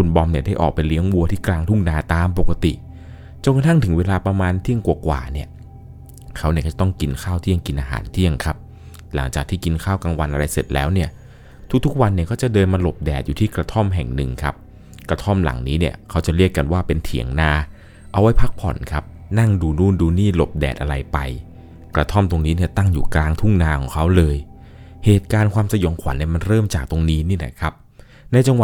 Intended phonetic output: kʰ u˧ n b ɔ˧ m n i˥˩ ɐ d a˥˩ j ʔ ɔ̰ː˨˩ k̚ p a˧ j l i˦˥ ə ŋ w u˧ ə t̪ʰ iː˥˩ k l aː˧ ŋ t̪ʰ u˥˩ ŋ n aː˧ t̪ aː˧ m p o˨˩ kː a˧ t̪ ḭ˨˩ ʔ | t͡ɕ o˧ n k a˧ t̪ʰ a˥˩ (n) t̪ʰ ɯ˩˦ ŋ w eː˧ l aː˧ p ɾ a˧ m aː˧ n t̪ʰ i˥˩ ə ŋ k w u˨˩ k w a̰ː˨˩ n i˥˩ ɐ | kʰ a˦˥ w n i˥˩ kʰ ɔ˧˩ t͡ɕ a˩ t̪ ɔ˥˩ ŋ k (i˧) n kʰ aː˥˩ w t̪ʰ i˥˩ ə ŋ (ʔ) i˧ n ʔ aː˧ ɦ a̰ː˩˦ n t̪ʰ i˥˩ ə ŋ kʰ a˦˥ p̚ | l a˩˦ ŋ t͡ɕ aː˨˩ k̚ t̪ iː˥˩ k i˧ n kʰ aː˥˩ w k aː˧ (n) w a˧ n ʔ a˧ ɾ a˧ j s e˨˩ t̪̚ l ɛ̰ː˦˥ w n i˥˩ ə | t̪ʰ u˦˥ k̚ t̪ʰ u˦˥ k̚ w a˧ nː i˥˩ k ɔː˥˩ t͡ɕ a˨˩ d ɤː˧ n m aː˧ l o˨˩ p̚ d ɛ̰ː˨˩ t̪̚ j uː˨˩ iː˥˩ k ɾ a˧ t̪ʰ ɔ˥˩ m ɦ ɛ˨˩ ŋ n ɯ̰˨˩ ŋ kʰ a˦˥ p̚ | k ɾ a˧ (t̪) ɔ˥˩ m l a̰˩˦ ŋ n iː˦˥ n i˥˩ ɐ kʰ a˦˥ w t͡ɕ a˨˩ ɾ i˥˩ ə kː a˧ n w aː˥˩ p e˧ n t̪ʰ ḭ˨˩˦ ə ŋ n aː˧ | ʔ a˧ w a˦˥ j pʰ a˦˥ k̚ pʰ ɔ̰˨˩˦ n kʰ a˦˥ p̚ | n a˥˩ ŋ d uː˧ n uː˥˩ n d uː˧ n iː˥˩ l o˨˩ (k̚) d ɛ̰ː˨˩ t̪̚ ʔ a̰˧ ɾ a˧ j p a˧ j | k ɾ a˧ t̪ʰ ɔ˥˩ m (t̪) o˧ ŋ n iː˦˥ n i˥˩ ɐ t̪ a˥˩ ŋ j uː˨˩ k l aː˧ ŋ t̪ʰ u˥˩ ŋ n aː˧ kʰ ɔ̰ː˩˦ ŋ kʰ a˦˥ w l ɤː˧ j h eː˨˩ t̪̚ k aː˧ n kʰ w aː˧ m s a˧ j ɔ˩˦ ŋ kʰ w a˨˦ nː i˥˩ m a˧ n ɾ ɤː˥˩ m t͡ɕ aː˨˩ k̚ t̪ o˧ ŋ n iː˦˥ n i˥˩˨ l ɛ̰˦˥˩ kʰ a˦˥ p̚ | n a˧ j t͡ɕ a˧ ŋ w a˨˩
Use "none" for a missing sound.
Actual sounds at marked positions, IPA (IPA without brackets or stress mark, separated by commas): ŋ, i˧, k, ŋ, t̪ʰ, p̚, t̪